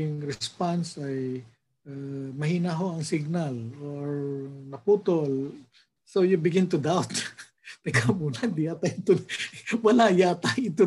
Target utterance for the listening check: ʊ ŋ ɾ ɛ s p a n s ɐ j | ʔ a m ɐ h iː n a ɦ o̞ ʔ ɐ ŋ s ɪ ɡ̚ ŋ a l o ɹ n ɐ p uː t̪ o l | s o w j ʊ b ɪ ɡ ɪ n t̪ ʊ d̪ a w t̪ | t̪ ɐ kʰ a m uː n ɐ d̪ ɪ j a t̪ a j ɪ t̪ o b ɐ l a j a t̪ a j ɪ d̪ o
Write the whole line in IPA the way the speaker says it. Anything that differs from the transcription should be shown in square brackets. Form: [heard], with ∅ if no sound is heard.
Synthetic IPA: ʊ ŋ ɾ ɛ s p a n s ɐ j | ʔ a m ɐ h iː n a ɦ o̞ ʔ ɐ ŋ s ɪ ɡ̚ [n] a l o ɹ n ɐ p uː t̪ o l | s o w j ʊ b ɪ ɡ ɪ n t̪ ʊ d̪ a w t̪ | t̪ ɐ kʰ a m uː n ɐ d̪ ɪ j a t̪ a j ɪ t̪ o [w] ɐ l a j a t̪ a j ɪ [t̪] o